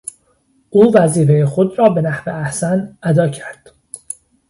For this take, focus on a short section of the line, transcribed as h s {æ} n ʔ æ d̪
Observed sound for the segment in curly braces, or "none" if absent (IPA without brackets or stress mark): æ